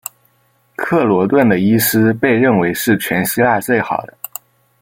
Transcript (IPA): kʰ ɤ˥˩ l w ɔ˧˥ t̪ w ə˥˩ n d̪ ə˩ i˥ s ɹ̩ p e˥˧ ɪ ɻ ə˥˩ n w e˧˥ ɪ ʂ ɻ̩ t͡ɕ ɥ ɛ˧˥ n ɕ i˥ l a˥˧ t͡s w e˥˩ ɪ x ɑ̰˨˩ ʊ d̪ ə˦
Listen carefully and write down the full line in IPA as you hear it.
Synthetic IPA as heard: kʰ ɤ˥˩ l w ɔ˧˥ t̪ w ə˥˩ n d̪ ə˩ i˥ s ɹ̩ p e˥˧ ɪ ɻ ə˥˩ n w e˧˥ ɪ ʂ ɻ̩ t͡ɕʰ ɥ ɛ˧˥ n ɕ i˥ l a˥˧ t͡s w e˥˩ ɪ x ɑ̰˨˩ ʊ d̪ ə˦